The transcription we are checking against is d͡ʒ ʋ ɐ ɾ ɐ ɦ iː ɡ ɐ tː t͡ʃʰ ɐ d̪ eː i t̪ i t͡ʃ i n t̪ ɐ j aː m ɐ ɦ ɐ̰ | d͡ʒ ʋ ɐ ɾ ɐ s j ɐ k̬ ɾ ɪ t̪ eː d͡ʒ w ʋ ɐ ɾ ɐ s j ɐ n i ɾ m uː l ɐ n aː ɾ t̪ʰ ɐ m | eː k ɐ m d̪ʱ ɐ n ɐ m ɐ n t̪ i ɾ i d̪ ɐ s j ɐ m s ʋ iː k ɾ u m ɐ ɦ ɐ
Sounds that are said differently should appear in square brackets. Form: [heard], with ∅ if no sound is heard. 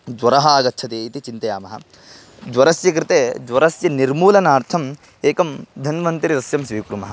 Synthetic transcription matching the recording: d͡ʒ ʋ ɐ ɾ ɐ ɦ [aː] ɡ ɐ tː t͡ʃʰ ɐ [t̪] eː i t̪ i t͡ʃ i n t̪ ɐ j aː m ɐ ɦ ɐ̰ | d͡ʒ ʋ ɐ ɾ ɐ s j ɐ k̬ ɾ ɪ t̪ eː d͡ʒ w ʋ ɐ ɾ ɐ s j ɐ n i ɾ m uː l ɐ n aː ɾ t̪ʰ ɐ m | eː k ɐ m d̪ʱ ɐ n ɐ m ɐ n t̪ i ɾ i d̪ ɐ s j ɐ m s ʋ iː k ɾ u m ɐ ɦ ɐ

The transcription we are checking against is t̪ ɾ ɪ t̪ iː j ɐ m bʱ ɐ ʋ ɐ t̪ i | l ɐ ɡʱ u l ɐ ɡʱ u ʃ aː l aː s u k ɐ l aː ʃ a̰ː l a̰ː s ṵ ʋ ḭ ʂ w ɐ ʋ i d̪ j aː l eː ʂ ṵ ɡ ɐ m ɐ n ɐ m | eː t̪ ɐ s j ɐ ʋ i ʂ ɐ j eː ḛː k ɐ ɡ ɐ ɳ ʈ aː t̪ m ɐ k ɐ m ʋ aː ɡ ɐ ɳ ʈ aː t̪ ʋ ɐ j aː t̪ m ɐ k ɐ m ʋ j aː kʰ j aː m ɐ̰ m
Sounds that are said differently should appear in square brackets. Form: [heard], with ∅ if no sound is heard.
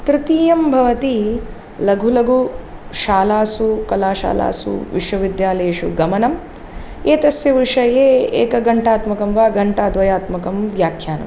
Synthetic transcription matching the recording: t̪ ɾ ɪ t̪ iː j ɐ m bʱ ɐ ʋ ɐ t̪ i | l ɐ ɡʱ u l ɐ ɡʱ u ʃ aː l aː s u k ɐ l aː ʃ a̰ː l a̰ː s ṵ ʋ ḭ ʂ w ɐ ʋ i d̪ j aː l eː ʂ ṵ ɡ ɐ m ɐ n ɐ m | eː t̪ ɐ s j ɐ ʋ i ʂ ɐ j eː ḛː k ɐ ɡ ɐ ɳ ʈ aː t̪ m ɐ k ɐ m ʋ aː ɡ ɐ ɳ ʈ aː [d̪] ʋ ɐ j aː t̪ m ɐ k ɐ m ʋ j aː kʰ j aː [n] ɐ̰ m

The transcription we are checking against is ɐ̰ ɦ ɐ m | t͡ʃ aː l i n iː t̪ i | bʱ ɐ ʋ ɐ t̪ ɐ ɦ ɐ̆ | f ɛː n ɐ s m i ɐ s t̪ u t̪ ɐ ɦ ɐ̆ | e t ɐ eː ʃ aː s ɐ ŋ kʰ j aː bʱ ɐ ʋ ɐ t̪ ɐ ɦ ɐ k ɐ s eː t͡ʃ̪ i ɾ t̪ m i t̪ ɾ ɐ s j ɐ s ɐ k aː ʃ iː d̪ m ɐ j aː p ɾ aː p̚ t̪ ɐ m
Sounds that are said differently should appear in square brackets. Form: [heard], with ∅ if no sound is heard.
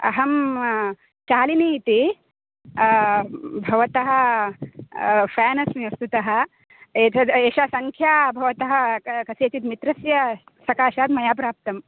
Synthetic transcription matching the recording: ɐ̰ ɦ ɐ m | t͡ʃ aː l i n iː t̪ i | bʱ ɐ ʋ ɐ t̪ ɐ ɦ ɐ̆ | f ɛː n ɐ s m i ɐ s t̪ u t̪ ɐ ɦ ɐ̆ | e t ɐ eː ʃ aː s ɐ ŋ kʰ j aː bʱ ɐ ʋ ɐ t̪ ɐ ɦ ɐ k ɐ s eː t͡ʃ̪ i [∅] t̪ m i t̪ ɾ ɐ s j ɐ s ɐ k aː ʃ [aː] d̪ m ɐ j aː p ɾ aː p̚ t̪ ɐ m

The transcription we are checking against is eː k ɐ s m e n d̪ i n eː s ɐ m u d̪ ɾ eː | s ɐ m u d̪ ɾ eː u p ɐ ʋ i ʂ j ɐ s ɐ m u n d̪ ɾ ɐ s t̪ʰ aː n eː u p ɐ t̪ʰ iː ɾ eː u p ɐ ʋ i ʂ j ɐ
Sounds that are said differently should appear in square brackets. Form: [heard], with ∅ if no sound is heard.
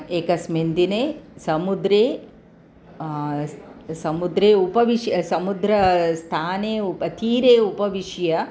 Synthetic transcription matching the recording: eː k ɐ s m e n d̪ i n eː s ɐ m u d̪ ɾ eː | s ɐ m u d̪ ɾ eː u p ɐ ʋ i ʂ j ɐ s ɐ m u [∅] d̪ ɾ ɐ s t̪ʰ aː n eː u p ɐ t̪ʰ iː ɾ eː u p ɐ ʋ i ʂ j ɐ

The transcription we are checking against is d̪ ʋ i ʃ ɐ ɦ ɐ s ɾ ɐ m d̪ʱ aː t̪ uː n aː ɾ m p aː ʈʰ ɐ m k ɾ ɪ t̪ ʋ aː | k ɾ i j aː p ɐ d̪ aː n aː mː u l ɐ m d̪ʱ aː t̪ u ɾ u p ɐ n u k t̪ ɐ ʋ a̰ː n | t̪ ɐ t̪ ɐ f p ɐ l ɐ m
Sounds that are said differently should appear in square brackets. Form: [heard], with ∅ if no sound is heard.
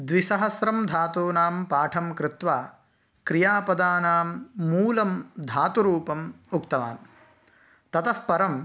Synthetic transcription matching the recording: d̪ ʋ i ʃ ɐ ɦ ɐ s ɾ ɐ m d̪ʱ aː t̪ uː n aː [∅] m p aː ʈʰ ɐ m k ɾ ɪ t̪ ʋ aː | k ɾ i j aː p ɐ d̪ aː n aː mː [uː] l ɐ m d̪ʱ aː t̪ u ɾ [uː] p ɐ [m] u k t̪ ɐ ʋ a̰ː n | t̪ ɐ t̪ ɐ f p ɐ [ɾ] ɐ m

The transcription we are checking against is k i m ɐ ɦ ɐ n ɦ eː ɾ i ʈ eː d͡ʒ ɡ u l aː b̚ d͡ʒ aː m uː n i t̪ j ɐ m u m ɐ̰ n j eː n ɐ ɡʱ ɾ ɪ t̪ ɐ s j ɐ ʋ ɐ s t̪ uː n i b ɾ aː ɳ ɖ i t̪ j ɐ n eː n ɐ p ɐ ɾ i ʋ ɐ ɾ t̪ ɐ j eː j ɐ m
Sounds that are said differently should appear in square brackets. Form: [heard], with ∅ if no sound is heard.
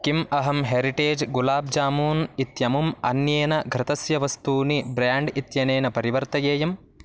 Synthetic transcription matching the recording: k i m ɐ ɦ ɐ [m] ɦ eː ɾ i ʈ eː d͡ʒ ɡ u l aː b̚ d͡ʒ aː m uː n i t̪ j ɐ m u m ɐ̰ n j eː n ɐ ɡʱ ɾ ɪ t̪ ɐ s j ɐ ʋ ɐ s t̪ uː n i b ɾ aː ɳ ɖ i t̪ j ɐ n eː n ɐ p ɐ ɾ i ʋ ɐ ɾ t̪ ɐ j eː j ɐ m

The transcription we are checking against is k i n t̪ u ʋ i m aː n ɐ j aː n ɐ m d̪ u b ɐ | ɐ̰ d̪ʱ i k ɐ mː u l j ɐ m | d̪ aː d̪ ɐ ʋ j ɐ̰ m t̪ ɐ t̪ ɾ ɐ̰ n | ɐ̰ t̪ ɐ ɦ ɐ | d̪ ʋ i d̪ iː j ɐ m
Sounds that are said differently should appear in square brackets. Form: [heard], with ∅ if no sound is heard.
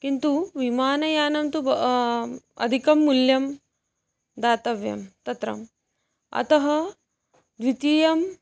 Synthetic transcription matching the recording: k i n t̪ u ʋ i m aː n ɐ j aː n ɐ m [t̪] u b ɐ | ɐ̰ d̪ʱ i k ɐ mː u l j ɐ m | d̪ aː [t̪] ɐ ʋ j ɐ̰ m t̪ ɐ t̪ ɾ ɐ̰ [m] | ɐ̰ t̪ ɐ ɦ ɐ | d̪ ʋ i [t̪] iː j ɐ m

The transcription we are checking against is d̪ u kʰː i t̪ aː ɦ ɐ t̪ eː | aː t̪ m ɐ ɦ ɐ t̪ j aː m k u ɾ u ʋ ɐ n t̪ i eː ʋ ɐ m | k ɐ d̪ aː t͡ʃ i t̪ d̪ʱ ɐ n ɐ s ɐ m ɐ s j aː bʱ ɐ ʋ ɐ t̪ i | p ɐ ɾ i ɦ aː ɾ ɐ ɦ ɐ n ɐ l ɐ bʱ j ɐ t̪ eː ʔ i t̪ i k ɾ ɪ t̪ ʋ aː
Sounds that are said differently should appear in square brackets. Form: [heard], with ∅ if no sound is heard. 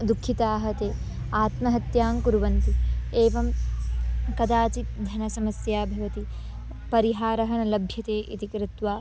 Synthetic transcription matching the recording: d̪ u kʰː i t̪ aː ɦ ɐ t̪ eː | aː t̪ m ɐ ɦ ɐ t̪ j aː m k u ɾ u ʋ ɐ n t̪ i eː ʋ ɐ m | k ɐ d̪ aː t͡ʃ i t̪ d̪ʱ ɐ n ɐ s ɐ m ɐ s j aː bʱ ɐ ʋ ɐ t̪ i | p ɐ ɾ i ɦ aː ɾ ɐ ɦ ɐ n ɐ l ɐ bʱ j ɐ t̪ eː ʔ i t̪ i k ɾ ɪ t̪ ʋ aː

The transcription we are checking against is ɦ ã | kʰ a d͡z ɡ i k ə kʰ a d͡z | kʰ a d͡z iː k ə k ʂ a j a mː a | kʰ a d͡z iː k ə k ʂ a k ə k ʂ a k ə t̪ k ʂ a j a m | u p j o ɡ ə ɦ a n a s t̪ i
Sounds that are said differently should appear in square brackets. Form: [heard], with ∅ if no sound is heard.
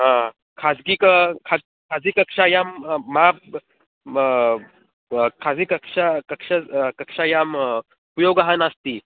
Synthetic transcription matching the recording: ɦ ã | kʰ a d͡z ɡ i k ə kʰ a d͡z | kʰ a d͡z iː k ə k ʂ a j a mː a | kʰ a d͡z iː k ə k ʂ a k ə k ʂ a k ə [∅] k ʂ a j a m | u p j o ɡ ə ɦ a n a s t̪ i

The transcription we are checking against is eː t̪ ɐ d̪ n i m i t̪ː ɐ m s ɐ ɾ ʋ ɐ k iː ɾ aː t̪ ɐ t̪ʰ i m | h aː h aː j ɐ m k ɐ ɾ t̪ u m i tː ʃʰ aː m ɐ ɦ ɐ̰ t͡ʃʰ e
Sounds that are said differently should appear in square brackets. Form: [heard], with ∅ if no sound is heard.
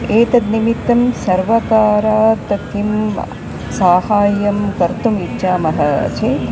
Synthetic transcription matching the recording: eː t̪ ɐ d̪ n i m i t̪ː ɐ m s ɐ ɾ ʋ ɐ k [aː] ɾ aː t̪ ɐ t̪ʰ i m | [s] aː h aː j ɐ m k ɐ ɾ t̪ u m i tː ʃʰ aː m ɐ ɦ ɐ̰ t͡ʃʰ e

